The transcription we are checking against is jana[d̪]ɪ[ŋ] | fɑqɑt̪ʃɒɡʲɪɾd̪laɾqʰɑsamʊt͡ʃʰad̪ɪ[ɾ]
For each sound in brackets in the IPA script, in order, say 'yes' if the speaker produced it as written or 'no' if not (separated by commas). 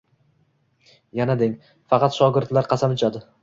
yes, yes, no